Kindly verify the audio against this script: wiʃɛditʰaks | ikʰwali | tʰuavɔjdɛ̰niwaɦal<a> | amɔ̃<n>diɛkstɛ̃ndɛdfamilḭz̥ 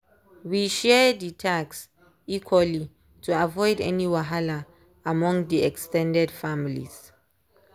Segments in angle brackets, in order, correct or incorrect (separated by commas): correct, incorrect